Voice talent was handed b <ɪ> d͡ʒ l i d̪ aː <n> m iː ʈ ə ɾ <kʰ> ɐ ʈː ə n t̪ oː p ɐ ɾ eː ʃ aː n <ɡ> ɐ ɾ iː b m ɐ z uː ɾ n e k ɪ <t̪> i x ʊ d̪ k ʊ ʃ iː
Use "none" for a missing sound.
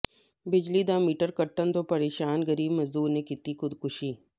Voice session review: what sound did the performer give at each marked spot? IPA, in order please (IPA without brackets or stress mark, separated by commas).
ɪ, none, k, ɡ, t̪